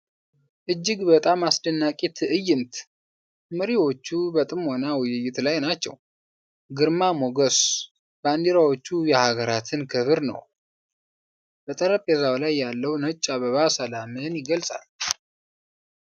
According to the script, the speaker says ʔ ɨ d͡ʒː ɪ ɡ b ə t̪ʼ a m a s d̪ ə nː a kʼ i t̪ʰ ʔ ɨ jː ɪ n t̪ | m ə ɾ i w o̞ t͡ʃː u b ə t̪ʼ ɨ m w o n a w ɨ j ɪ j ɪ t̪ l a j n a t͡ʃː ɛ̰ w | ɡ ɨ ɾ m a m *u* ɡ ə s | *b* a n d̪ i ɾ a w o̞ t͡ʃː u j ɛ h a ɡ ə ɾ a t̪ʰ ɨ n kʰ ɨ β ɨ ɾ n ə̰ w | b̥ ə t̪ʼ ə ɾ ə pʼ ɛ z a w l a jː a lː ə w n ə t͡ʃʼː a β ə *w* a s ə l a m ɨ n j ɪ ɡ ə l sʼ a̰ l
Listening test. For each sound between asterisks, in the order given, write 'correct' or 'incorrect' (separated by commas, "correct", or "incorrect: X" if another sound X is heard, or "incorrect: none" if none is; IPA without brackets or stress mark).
incorrect: o, correct, incorrect: β